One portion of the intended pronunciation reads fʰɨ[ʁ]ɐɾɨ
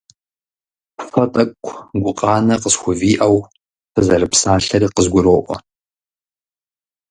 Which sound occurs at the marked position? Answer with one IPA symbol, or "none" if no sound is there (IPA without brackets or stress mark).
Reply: z